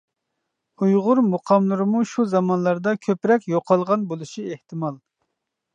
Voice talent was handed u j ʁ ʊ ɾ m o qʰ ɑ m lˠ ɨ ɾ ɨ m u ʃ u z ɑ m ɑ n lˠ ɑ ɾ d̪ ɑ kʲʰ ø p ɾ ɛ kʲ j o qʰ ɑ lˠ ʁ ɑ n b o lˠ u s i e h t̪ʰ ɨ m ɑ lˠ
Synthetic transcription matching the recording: u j ʁ ʊ ɾ m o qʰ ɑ m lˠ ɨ ɾ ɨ m u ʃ u z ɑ m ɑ n lˠ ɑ ɾ d̪ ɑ kʲʰ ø p ɾ ɛ kʲ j o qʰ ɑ lˠ ʁ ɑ n b o lˠ u ʃ i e h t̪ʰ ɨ m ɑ lˠ